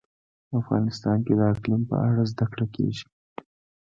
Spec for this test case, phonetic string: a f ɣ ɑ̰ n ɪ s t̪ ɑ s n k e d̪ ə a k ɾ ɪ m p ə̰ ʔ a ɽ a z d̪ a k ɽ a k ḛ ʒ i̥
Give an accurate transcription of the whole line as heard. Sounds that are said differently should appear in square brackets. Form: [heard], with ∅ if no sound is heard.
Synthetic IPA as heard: a f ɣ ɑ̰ n ɪ s t̪ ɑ [∅] n k e d̪ ə a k [l] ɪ m p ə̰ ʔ a ɽ a z d̪ a k ɽ a k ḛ ʒ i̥